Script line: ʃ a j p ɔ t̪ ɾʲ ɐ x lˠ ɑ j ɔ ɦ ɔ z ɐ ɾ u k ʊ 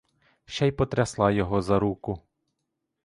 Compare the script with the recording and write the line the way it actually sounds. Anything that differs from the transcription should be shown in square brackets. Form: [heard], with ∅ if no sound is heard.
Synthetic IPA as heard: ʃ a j p ɔ t̪ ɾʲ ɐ [s] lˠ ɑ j ɔ ɦ ɔ z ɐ ɾ u k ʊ